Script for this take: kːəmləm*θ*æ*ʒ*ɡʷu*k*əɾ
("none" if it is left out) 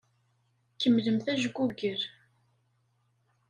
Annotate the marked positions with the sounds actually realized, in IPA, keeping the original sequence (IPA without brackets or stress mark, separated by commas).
θ, ʒ, ɡ